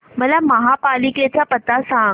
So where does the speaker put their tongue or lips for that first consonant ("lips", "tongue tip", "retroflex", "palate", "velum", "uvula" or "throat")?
lips